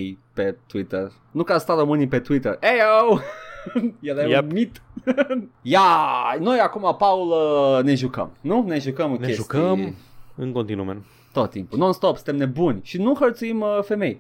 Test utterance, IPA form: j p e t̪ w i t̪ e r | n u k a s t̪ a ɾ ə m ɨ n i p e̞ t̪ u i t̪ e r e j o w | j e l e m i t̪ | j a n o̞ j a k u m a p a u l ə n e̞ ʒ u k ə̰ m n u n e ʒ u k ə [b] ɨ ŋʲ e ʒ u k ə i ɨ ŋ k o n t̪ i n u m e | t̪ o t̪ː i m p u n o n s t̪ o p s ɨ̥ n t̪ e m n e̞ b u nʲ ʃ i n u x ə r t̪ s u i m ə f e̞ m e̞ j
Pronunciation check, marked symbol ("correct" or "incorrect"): incorrect